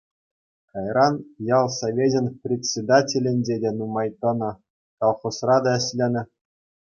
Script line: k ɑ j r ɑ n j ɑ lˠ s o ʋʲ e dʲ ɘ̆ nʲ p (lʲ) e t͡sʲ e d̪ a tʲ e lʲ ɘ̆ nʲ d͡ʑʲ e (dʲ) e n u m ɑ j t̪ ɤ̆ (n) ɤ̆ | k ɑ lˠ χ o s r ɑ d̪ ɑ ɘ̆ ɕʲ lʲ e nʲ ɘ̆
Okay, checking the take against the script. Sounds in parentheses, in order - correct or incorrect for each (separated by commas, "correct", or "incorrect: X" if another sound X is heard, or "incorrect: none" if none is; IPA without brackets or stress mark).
incorrect: rʲ, correct, correct